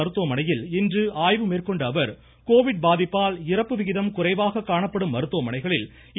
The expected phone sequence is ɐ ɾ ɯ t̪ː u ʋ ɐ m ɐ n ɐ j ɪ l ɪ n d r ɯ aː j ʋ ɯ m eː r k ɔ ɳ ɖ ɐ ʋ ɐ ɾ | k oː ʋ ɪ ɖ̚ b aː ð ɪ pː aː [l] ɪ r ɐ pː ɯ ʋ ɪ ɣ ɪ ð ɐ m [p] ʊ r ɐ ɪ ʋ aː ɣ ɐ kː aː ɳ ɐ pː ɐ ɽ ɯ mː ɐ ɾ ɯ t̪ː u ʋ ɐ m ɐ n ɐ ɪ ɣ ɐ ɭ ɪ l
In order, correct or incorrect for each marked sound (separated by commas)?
correct, incorrect